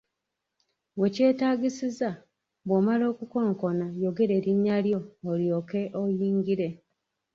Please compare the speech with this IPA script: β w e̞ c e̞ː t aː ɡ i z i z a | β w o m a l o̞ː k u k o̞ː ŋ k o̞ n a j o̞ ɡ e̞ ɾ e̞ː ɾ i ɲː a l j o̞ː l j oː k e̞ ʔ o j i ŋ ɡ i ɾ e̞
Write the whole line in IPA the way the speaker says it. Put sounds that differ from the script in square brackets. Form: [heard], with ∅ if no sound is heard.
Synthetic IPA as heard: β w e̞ c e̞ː t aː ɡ i [s] i z a | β w o m a l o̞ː k u k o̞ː ŋ k o̞ n a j o̞ ɡ e̞ ɾ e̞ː ɾ i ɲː a l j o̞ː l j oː k e̞ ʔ o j [iː] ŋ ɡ i ɾ e̞